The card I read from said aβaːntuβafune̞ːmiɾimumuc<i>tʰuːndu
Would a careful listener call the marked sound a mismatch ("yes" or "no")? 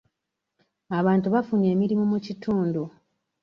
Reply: no